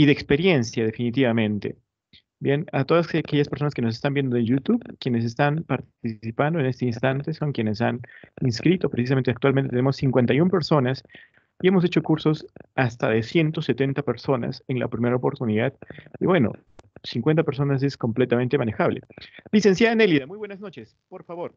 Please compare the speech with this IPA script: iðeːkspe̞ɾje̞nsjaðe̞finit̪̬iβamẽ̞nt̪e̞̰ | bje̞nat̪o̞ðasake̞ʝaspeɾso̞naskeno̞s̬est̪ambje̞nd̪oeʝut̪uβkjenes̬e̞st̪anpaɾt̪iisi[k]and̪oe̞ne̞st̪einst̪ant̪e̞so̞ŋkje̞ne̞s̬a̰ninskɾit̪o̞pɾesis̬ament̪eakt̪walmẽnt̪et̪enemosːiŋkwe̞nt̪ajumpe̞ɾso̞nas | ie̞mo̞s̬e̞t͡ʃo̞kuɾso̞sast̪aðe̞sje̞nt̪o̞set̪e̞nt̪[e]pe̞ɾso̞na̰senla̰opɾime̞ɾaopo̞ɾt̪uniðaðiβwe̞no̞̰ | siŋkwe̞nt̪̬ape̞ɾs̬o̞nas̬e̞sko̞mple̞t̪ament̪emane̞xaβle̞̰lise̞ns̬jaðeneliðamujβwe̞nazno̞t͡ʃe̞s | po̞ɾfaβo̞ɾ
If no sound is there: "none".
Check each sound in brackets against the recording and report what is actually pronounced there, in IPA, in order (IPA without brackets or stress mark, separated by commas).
p, a